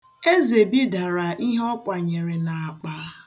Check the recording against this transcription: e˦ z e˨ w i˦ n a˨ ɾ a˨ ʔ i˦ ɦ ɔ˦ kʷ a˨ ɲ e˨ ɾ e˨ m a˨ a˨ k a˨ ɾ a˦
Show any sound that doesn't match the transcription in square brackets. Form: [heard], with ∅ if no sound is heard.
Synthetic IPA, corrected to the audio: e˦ z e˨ [b] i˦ [d] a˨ ɾ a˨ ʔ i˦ ɦ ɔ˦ kʷ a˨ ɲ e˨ ɾ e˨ [n] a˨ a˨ [k͡p] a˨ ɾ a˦